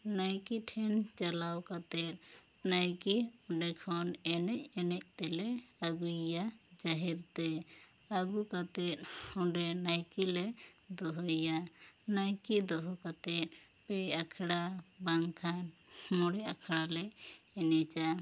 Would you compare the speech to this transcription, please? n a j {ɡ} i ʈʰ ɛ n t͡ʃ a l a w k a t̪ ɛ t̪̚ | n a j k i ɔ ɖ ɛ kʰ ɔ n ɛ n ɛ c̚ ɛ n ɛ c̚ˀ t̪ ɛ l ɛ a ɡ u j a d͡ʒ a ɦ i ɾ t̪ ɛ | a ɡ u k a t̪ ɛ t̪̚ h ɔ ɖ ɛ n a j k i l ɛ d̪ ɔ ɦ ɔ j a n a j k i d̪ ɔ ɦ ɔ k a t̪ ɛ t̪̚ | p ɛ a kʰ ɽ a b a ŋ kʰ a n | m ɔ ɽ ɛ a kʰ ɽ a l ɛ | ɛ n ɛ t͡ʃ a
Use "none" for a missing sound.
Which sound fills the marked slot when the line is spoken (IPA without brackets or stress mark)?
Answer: k